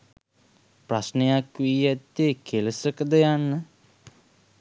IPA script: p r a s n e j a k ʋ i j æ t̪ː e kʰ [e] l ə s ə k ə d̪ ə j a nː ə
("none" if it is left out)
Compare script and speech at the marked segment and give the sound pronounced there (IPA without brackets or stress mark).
e